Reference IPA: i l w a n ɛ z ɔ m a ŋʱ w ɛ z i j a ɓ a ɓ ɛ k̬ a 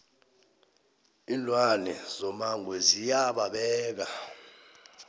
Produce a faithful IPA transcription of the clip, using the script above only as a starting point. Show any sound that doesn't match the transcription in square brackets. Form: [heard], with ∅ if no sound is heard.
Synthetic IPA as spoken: i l w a n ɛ z ɔ m a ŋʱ w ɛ z i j a ɓ a ɓ [ɛː] k̬ a